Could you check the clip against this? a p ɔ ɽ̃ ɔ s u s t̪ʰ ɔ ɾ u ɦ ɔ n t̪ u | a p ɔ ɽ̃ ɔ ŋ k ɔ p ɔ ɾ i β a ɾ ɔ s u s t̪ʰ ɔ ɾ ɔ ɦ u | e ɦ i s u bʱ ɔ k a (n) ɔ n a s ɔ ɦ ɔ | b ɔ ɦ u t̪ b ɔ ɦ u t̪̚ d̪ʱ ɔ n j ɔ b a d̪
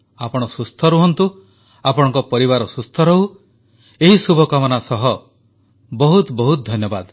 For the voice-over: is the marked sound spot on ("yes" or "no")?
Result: no